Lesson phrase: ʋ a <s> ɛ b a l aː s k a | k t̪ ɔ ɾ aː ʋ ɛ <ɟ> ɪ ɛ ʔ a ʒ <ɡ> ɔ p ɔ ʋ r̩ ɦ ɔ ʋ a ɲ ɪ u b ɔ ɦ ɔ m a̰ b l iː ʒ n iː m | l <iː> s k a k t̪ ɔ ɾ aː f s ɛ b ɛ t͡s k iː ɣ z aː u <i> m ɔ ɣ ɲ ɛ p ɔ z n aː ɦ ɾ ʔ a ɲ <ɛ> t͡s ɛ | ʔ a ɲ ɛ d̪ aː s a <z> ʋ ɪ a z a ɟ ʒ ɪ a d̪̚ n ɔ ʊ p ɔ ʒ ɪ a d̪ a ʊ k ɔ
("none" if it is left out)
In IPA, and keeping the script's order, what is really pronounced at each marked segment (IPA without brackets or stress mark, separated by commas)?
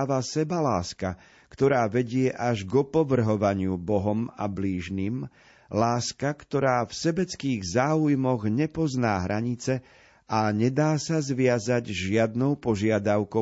s, ɟ, ɡ, aː, j, i, z